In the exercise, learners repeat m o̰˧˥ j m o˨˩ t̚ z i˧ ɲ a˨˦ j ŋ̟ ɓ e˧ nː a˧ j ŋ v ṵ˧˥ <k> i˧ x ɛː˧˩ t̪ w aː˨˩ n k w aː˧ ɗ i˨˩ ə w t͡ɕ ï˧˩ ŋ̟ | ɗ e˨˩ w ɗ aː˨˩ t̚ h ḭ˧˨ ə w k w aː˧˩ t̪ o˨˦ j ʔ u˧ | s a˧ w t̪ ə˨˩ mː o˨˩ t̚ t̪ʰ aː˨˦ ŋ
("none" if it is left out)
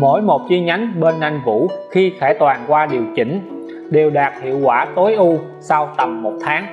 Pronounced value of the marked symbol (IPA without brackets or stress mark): x